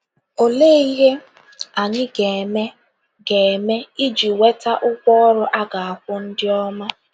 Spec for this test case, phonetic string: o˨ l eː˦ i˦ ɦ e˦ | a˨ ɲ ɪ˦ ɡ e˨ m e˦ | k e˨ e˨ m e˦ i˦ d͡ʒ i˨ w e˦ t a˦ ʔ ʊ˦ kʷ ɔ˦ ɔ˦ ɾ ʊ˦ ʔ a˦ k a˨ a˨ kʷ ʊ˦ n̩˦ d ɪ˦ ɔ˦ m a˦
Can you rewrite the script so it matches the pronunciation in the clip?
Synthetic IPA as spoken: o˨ l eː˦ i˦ ɦ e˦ | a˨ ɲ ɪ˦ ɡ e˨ m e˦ | ɡ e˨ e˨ m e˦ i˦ d͡ʒ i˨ w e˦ t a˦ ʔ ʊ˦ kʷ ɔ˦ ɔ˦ ɾ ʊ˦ ʔ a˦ ɡ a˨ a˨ kʷ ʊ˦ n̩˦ d ɪ˦ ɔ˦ m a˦